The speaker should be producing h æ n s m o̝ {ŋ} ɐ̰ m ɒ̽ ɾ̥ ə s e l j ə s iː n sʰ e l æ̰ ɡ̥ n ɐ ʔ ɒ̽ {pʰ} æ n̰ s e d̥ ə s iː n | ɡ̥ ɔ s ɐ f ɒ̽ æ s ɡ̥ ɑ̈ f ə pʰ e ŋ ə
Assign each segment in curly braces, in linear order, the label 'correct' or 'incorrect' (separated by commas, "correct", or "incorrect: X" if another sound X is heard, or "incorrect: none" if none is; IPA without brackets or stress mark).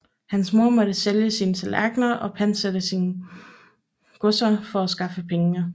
incorrect: none, correct